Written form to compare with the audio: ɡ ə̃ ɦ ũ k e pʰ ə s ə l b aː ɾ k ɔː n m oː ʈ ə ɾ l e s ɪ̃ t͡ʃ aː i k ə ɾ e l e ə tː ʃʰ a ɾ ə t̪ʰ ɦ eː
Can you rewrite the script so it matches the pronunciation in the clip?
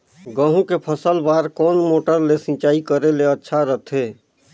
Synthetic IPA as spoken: ɡ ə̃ ɦ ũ k e pʰ ə s ə l b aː ɾ k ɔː n m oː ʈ ə ɾ l e s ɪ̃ t͡ʃ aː i k ə ɾ e l e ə tː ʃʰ a ɾ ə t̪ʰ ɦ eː